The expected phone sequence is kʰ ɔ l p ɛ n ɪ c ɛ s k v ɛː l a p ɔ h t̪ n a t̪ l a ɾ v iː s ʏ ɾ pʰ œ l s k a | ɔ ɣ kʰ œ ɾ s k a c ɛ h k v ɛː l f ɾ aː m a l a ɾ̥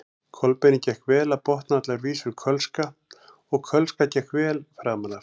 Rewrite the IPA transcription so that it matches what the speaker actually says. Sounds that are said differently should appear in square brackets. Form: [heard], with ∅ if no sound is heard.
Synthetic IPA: kʰ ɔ l p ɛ n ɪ c ɛ [h] k v ɛː l a p ɔ h t̪ n a t̪ l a ɾ v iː s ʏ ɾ [kʰ] œ l s k a | ɔ ɣ kʰ œ [l] s k a c ɛ h k v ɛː l f ɾ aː m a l a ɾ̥